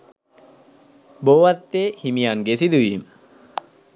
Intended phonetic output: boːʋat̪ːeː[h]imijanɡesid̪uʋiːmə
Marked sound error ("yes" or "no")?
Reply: no